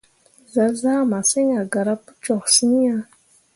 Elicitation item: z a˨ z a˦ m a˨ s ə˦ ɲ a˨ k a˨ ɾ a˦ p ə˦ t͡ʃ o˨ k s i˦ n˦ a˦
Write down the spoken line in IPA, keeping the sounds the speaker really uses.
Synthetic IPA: z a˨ z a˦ m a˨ s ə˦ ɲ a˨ ɡ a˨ ɾ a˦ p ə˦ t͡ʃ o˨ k s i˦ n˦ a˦